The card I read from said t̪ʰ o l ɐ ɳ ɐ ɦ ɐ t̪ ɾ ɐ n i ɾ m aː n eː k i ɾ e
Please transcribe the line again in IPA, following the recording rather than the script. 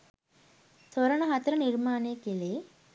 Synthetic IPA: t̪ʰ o ɾ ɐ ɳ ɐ ɦ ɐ t̪ ɾ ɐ n i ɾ m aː n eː k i l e